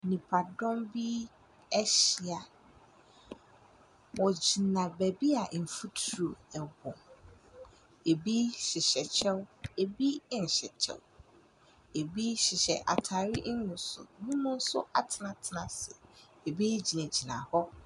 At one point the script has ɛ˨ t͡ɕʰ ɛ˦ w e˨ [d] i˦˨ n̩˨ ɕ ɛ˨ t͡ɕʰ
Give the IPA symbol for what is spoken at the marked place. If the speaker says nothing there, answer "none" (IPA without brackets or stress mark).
b